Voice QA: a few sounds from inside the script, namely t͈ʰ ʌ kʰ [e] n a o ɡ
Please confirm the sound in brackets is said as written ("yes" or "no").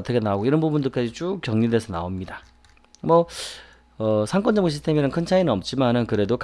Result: yes